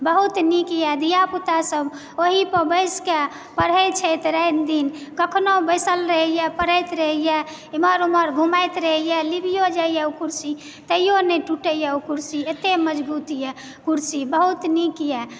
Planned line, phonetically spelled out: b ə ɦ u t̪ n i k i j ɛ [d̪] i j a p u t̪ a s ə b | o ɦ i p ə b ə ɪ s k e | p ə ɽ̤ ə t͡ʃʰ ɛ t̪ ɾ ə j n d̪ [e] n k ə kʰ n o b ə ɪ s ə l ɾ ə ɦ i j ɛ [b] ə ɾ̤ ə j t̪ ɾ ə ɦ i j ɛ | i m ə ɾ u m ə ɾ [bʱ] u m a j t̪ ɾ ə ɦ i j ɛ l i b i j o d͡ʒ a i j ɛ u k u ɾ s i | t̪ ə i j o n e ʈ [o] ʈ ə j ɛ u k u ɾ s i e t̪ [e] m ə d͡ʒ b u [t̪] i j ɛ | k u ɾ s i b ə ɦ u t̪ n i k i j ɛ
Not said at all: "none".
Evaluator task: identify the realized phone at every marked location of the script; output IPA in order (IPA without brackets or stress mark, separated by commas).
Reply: d̪, i, p, ɡʱ, u, e, t̪